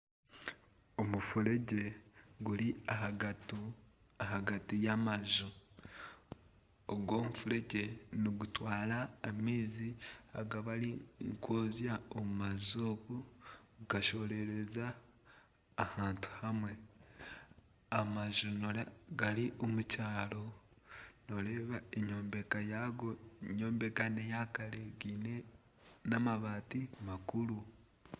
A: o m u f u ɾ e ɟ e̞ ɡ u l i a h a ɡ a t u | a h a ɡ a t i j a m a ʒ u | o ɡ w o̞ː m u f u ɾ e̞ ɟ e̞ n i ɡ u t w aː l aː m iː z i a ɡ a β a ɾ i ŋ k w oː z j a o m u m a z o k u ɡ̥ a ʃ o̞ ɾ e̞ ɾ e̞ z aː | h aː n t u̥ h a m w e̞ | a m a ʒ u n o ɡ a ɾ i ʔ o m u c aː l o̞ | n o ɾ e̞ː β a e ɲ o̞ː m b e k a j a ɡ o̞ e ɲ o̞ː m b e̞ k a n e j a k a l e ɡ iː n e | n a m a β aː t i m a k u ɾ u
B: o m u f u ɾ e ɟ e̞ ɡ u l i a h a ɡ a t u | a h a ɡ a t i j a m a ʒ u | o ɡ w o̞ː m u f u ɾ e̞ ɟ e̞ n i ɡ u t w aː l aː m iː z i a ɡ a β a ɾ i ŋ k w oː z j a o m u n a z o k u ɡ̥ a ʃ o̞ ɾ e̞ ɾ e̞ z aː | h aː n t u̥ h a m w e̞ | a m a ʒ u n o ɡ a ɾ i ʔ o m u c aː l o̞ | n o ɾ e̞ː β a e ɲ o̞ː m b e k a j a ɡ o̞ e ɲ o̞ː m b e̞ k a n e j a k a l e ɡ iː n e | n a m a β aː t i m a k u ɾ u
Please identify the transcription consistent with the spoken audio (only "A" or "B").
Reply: A